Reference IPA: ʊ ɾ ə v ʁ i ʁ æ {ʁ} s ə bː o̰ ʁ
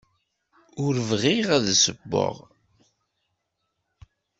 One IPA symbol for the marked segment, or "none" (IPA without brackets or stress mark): ð